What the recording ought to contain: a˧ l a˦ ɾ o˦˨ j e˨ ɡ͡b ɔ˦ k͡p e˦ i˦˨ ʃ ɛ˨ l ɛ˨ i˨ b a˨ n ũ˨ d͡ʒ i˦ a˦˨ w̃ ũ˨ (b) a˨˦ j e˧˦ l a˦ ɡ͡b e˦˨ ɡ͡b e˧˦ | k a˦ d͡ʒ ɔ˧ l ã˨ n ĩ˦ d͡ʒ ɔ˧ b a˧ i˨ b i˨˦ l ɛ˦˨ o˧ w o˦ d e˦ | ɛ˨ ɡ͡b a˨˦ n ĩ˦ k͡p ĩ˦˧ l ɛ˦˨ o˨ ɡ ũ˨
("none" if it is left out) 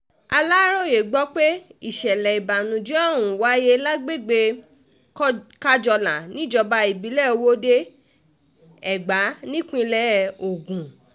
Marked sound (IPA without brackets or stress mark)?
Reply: w